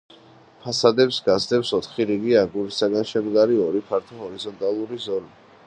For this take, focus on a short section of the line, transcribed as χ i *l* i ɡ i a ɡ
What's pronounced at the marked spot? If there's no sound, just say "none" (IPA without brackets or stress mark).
ɾ